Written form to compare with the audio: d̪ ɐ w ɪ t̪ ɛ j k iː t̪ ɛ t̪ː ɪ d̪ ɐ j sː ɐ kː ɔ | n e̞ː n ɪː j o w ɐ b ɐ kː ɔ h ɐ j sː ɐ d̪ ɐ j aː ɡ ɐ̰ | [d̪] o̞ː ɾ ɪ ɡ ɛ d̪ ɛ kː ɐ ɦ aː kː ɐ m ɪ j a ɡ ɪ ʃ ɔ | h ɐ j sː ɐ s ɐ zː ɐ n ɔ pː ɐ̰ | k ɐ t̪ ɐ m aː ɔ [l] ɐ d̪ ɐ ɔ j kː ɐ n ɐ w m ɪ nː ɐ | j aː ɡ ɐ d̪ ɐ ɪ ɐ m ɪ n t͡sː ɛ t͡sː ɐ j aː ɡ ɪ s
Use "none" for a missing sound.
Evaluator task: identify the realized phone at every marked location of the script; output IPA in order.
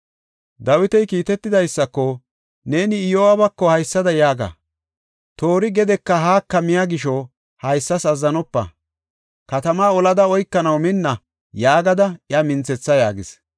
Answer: t̪, l

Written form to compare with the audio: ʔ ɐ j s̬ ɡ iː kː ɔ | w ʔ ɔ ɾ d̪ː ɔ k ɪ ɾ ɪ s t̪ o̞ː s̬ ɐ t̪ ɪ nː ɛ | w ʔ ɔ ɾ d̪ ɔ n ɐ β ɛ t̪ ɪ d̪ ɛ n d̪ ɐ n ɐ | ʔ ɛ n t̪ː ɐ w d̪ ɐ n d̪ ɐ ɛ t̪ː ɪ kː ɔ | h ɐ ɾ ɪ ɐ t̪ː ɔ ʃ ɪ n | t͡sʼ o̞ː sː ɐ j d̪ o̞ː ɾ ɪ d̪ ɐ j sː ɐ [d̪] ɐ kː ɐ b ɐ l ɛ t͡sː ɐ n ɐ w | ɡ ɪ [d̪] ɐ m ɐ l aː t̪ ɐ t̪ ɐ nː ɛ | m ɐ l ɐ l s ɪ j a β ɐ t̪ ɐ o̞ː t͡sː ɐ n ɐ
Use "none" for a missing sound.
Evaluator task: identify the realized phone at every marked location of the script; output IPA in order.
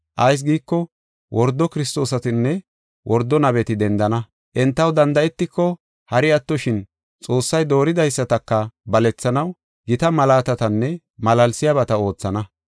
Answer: t̪, t̪

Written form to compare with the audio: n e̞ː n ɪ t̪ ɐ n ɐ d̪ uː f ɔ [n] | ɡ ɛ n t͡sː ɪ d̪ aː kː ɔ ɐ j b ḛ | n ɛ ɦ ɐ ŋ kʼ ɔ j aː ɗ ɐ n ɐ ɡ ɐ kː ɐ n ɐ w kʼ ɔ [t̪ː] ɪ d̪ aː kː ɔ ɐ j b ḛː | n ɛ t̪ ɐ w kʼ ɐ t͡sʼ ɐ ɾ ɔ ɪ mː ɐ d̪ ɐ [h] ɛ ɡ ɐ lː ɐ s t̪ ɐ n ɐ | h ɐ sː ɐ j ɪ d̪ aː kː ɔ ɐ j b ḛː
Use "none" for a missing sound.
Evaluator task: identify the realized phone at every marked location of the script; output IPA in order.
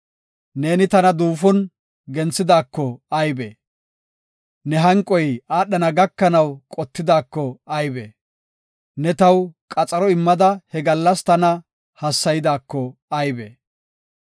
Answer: n, t̪ː, h

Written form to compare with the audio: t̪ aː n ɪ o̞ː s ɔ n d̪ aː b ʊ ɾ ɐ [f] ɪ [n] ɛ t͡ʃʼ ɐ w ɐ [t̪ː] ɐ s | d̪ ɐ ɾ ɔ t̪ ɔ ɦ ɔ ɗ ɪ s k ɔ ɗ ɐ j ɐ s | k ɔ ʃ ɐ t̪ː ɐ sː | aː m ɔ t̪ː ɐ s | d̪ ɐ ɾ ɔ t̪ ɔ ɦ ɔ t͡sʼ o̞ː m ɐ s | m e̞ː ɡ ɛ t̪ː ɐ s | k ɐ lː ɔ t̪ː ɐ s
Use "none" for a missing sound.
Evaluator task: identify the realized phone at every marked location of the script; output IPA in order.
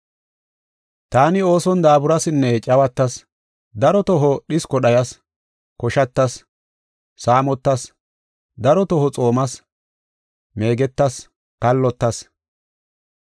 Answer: s, nː, t̪ː

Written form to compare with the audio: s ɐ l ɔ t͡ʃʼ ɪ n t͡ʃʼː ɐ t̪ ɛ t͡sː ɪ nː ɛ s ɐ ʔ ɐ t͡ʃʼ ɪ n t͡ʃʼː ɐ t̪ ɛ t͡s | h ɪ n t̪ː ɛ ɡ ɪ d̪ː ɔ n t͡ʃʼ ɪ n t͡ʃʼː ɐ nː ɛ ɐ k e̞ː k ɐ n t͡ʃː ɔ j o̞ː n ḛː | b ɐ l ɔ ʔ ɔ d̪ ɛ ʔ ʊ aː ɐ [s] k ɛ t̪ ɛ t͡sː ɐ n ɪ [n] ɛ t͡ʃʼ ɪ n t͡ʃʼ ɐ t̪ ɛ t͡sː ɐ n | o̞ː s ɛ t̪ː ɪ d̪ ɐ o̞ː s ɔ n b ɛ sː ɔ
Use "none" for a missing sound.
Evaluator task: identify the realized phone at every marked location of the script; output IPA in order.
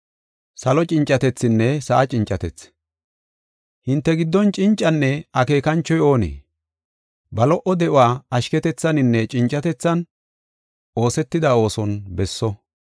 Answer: ʃ, nː

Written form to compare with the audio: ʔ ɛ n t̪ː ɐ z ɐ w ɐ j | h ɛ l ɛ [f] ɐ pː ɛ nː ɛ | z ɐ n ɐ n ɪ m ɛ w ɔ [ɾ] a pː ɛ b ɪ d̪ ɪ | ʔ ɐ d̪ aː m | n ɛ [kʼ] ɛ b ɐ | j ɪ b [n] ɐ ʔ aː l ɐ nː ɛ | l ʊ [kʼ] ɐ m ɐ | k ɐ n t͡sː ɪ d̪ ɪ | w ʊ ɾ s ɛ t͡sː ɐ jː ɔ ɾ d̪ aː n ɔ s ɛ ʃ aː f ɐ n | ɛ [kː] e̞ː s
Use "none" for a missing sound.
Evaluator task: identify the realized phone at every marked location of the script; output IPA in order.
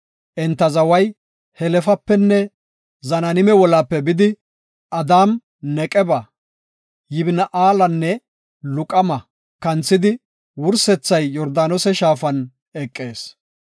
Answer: f, l, kʼ, n, kʼ, kʼː

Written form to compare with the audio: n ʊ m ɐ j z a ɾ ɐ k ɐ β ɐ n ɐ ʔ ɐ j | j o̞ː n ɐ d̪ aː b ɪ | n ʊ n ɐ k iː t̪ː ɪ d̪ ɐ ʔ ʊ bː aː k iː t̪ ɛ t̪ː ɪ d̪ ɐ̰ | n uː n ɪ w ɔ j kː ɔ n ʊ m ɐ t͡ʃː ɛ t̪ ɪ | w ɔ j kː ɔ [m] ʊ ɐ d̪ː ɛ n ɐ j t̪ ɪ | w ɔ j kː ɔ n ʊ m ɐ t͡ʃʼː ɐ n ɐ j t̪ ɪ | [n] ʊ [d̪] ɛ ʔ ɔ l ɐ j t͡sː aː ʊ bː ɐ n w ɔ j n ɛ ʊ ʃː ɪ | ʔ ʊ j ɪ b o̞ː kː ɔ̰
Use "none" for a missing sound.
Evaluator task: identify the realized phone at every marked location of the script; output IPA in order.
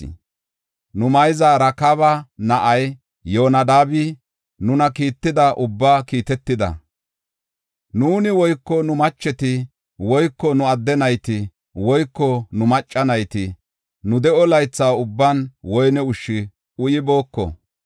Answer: n, n, d̪

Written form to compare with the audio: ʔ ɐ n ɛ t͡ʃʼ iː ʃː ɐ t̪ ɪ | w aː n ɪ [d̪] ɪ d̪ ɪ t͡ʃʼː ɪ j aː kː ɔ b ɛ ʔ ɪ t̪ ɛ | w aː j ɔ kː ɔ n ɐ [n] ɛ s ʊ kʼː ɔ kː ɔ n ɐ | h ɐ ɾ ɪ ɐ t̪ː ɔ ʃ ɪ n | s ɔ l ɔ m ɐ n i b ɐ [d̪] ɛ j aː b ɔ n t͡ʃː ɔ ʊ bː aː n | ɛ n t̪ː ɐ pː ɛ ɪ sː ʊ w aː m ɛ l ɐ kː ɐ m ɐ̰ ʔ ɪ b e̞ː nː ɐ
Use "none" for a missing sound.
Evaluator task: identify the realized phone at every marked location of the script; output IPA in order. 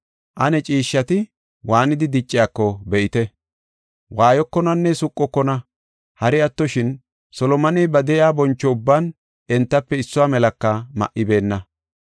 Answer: d̪, nː, d̪

